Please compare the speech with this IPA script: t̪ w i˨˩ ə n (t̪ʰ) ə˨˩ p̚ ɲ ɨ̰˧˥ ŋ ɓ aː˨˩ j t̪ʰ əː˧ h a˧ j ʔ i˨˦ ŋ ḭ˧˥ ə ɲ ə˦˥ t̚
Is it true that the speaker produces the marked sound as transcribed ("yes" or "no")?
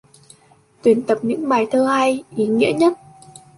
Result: no